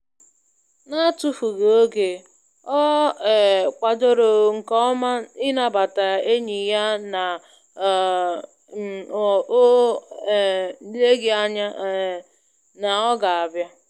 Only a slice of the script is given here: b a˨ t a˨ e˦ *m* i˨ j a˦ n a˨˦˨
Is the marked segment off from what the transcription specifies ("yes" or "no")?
yes